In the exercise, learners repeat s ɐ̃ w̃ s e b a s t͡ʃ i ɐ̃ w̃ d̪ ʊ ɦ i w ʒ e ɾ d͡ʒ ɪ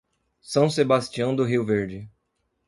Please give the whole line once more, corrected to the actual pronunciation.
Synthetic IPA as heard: s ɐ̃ w̃ s e b a s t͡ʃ i ɐ̃ w̃ d̪ ʊ ɦ i w v e ɾ d͡ʒ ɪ